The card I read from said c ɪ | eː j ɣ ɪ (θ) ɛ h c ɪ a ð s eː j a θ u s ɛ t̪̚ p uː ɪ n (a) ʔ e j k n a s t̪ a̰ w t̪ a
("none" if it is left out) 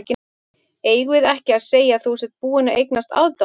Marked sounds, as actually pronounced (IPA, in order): ð, a

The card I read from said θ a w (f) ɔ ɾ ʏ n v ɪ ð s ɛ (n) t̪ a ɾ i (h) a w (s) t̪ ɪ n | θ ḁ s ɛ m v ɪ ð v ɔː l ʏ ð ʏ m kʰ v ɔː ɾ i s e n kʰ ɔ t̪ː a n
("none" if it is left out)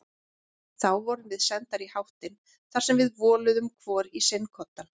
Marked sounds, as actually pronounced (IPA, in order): v, n, h, h

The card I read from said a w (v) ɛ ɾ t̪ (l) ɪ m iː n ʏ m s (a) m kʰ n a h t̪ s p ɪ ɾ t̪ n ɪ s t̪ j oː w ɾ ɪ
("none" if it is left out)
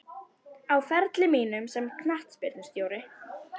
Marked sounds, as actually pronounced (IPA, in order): f, l, ɛ

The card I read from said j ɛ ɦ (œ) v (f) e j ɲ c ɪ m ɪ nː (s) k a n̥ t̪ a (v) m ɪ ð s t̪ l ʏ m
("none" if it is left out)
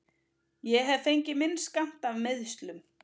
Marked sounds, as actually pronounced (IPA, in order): ɛ, f, s, v

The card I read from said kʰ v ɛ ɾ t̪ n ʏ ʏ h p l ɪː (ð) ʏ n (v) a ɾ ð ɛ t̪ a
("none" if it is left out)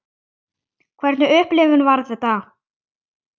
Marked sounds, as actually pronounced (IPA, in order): v, v

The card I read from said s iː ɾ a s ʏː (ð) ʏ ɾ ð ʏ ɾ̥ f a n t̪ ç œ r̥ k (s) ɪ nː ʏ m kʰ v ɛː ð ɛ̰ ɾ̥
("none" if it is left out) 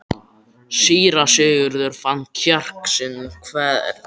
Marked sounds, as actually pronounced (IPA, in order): ɣ, s

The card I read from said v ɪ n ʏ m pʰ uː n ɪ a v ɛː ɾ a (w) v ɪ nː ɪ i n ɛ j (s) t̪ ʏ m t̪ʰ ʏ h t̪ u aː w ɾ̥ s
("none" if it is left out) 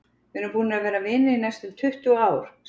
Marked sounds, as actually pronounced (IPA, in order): none, s

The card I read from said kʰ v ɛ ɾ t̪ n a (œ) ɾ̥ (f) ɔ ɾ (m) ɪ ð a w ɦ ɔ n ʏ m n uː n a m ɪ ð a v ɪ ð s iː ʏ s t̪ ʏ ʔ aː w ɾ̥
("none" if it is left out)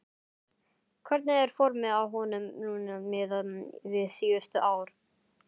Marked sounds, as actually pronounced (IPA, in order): ɛ, f, m

